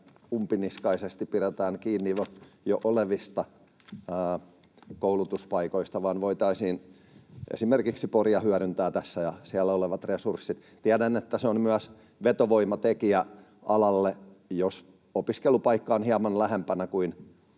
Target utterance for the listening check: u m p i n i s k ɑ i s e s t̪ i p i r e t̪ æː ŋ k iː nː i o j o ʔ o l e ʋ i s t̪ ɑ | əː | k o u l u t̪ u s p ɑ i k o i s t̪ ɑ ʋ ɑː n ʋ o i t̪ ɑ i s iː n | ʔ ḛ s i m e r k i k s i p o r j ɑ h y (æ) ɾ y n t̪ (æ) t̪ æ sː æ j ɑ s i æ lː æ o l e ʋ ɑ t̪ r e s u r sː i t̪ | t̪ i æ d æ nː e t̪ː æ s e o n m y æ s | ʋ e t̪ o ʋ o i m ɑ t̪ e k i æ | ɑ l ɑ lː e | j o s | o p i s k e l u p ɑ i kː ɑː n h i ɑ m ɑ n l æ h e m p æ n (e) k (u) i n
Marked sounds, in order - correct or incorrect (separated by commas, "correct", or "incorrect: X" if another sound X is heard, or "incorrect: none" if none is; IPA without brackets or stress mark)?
correct, incorrect: æː, incorrect: æ, correct